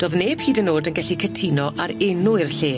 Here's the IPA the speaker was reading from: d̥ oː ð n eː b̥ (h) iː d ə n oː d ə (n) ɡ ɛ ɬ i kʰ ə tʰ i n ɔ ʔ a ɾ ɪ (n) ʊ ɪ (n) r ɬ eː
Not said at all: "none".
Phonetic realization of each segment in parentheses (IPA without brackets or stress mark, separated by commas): h, n, n, none